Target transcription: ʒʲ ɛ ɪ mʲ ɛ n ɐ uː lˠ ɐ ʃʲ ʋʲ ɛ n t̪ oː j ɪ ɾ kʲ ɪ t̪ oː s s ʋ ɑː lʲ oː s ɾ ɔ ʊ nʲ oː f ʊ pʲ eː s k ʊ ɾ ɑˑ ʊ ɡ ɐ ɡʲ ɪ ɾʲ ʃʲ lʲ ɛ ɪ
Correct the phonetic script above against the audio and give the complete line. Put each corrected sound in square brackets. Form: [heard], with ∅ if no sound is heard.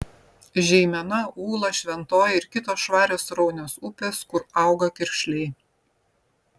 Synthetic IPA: ʒʲ ɛ ɪ mʲ ɛ n ɐ uː lˠ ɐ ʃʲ ʋʲ ɛ n t̪ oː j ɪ ɾ kʲ ɪ t̪ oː s [ʃ] ʋ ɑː [ɾʲ] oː s ɾ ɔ ʊ nʲ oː [s] ʊ pʲ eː s k ʊ ɾ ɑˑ ʊ ɡ ɐ [kʲ] ɪ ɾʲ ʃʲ lʲ ɛ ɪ